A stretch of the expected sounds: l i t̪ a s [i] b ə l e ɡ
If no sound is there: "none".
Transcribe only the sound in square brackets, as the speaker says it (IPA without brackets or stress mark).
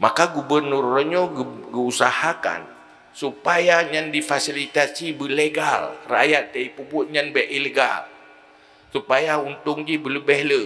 i